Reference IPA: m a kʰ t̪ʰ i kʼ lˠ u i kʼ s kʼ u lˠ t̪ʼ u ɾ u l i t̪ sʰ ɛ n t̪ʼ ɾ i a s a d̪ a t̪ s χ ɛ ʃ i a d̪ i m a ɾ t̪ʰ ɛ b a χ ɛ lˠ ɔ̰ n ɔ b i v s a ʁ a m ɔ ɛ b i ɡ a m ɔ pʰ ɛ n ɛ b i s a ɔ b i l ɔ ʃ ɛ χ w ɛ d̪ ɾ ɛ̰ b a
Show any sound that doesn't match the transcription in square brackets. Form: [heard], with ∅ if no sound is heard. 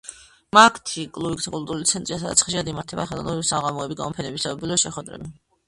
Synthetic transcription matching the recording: m a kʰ t̪ʰ i kʼ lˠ u i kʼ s kʼ u lˠ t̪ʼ u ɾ u l i t̪ sʰ ɛ n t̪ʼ ɾ i a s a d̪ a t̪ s χ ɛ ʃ i a d̪ i m a ɾ t̪ʰ ɛ b a χ ɛ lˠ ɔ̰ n ɔ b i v s a ʁ a m ɔ ɛ b i ɡ a m ɔ pʰ ɛ n ɛ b i s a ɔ b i l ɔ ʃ ɛ χ w ɛ d̪ ɾ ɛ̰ b [i]